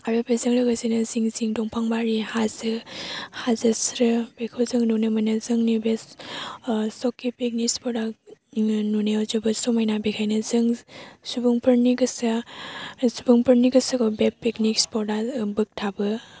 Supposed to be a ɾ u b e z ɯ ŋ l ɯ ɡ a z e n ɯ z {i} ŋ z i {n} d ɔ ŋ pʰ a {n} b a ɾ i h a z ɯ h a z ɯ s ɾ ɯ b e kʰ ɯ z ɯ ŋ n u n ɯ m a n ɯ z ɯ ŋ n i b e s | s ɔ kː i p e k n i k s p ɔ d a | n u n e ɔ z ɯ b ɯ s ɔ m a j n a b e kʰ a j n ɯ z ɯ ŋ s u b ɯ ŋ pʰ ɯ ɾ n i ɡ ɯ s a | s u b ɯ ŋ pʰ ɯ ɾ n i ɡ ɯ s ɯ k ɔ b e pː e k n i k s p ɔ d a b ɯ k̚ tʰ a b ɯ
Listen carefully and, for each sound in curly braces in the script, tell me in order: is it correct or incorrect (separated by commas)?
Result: correct, incorrect, incorrect